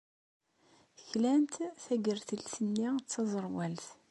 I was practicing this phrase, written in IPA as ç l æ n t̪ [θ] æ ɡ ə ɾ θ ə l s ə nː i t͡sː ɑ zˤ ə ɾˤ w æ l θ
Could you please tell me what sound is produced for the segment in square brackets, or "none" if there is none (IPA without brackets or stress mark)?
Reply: θ